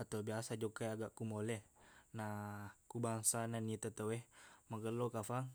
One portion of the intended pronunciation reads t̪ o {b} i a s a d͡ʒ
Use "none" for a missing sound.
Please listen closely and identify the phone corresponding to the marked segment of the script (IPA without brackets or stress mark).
b